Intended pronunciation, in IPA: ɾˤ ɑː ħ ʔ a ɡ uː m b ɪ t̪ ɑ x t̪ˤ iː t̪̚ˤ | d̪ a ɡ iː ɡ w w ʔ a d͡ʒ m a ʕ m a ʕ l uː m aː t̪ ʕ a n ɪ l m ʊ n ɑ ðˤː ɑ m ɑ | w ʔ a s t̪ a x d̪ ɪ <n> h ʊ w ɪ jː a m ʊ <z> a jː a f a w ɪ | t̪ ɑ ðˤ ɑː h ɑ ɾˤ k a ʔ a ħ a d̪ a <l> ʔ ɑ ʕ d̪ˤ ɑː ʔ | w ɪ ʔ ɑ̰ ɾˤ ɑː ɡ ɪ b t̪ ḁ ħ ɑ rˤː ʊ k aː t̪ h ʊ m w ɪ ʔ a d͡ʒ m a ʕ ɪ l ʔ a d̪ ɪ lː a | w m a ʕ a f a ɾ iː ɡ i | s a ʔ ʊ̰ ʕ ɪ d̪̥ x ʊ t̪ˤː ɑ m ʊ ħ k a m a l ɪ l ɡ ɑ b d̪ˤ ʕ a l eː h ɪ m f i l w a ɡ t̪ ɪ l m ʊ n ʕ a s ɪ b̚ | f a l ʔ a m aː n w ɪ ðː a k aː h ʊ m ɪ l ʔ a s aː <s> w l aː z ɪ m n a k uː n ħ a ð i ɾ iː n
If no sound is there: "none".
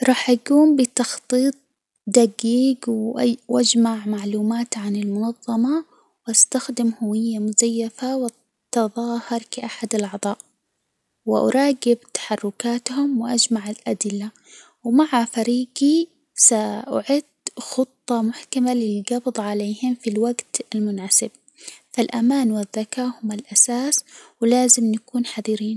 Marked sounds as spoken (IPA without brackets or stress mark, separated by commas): m, z, l, s